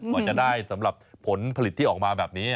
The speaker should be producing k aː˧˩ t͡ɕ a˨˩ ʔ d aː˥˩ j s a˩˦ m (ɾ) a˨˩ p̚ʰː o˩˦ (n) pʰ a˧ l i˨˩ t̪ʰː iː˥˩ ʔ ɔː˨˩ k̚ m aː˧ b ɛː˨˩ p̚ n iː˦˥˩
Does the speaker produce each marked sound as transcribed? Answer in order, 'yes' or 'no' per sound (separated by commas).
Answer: yes, yes